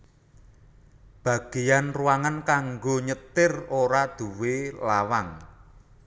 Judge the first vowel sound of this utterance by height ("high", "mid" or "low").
low